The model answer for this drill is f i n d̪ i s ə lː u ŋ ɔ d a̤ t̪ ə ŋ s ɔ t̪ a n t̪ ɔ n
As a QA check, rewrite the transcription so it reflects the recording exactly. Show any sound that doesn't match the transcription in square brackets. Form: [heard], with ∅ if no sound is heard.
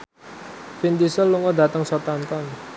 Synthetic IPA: f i n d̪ i s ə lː u ŋ ɔ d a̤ t̪ ə ŋ s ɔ t̪ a n t̪ ɔ n